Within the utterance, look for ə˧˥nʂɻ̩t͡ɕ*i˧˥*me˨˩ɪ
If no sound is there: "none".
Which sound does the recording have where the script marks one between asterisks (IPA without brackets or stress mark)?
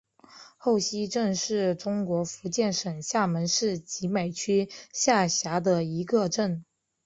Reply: i˧˥